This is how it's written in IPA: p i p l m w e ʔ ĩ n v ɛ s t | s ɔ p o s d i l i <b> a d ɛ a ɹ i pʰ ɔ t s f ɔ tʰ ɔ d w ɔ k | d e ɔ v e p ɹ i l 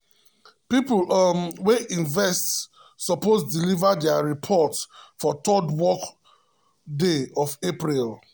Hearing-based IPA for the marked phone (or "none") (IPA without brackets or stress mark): v